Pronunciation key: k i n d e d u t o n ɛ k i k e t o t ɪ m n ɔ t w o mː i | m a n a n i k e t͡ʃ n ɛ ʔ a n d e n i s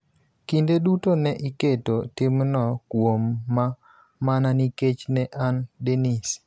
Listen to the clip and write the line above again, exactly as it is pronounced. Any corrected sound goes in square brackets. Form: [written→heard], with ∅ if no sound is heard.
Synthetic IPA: k i n d e d u t o n ɛ [k→ʔ] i k e t o t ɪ m n ɔ [t→k] w o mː [i→a] | m a n a n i k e t͡ʃ n ɛ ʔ a n d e n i s